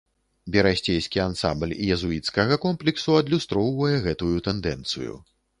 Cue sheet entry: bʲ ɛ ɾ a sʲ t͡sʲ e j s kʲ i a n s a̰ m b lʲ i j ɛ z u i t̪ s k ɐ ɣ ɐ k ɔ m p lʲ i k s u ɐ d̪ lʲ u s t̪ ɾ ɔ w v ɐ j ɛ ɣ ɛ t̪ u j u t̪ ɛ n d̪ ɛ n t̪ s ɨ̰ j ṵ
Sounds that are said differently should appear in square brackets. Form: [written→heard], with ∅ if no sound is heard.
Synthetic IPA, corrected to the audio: bʲ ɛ ɾ a sʲ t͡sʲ e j s kʲ i a n s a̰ m b lʲ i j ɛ z u i t̪ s k ɐ ɣ ɐ k ɔ m p lʲ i k s u ɐ d̪ lʲ u s t̪ ɾ ɔ w v ɐ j ɛ ɣ ɛ t̪ u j u t̪ ɛ n d̪ ɛ n t̪ s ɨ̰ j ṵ